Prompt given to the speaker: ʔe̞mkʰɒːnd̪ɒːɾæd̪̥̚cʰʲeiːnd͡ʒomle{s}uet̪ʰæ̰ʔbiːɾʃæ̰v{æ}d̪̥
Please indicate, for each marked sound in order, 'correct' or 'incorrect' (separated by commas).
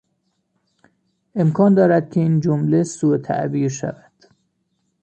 correct, correct